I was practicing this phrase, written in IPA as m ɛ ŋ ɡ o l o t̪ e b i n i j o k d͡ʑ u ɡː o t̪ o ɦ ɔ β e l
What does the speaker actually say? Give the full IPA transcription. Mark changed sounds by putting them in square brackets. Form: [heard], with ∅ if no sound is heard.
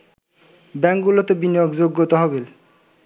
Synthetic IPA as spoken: [b] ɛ ŋ ɡ [u] l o t̪ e b i n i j o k d͡ʑ [o] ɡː o t̪ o ɦ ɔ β e l

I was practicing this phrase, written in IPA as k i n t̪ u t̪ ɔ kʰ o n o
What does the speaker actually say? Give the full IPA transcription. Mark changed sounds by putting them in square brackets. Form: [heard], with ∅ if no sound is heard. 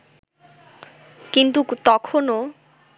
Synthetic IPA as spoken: k i n t̪ u t̪ ɔ kʰ o n o

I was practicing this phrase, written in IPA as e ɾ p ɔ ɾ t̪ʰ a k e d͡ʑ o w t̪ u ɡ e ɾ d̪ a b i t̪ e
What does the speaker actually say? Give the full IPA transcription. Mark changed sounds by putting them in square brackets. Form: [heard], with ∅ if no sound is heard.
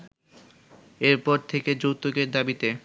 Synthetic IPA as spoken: e ɾ p ɔ ɾ t̪ʰ [e] k e d͡ʑ o w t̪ [o] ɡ e ɾ d̪ a b i t̪ e

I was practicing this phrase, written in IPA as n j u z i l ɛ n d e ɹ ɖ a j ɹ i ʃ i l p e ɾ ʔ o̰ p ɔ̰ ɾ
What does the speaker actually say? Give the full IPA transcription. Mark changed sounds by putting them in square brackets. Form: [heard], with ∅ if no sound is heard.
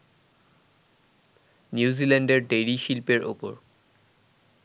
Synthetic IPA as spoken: n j u z i l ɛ n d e ɹ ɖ [e] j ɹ i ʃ i l p e [ɹ] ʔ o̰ p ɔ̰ [ɹ]

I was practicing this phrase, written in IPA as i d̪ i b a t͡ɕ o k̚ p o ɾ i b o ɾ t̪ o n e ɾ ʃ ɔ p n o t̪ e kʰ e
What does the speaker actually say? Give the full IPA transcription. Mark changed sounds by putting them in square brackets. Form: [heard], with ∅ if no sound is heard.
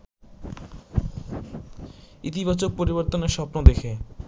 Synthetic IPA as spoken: i [t̪] i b a t͡ɕ o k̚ p o ɾ i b o ɾ t̪ o n e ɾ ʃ ɔ p n o [d̪] e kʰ e

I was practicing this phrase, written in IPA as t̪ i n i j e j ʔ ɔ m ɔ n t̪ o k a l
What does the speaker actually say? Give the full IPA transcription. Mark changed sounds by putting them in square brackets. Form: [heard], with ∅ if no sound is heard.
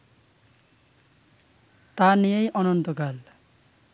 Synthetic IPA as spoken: t̪ [a] n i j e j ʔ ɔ [n] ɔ n t̪ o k a l

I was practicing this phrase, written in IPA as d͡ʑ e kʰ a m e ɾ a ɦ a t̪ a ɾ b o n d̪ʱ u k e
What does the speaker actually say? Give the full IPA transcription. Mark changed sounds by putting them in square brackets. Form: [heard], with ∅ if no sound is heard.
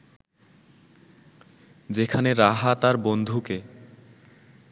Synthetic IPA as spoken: d͡ʑ e kʰ a [n] e ɾ a ɦ a t̪ a ɾ b o n d̪ʱ u k e

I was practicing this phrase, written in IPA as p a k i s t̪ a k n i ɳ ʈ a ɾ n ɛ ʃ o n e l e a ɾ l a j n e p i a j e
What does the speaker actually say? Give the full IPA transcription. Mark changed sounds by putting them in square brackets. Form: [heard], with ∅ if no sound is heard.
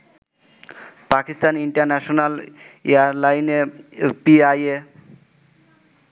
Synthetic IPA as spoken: p a k i s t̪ a [∅] n i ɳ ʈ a ɾ n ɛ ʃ o n [a] l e a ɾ l a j n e p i a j e

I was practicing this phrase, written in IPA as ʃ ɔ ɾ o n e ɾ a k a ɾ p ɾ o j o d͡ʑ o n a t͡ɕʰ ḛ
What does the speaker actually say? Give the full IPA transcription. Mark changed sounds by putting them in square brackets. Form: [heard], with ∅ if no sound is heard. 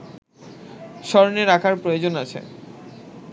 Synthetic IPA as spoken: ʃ ɔ ɾ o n e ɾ a [kʰ] a ɾ p ɾ o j o d͡ʑ o n a t͡ɕʰ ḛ

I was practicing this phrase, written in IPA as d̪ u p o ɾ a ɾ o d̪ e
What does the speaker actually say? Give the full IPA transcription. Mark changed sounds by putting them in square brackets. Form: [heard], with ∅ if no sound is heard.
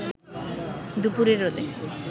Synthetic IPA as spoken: d̪ u p [u] ɾ [e] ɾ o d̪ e

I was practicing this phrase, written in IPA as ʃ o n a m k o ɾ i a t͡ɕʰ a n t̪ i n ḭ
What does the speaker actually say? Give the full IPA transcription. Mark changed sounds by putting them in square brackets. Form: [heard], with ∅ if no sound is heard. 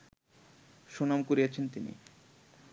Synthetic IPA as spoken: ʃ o n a m k o ɾ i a t͡ɕʰ [e] n t̪ i n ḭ

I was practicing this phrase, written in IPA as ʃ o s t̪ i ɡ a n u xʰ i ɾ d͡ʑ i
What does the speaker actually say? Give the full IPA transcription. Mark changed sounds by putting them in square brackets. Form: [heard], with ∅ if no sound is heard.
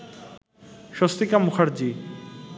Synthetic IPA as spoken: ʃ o s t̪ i [k] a [m] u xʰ [a] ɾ d͡ʑ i

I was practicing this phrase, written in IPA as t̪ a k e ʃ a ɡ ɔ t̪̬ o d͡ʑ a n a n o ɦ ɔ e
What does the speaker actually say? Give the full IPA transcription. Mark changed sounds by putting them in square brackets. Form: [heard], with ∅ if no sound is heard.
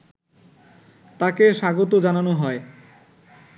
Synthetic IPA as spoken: t̪ a k e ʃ a ɡ [o] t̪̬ o d͡ʑ a n a n o ɦ ɔ e

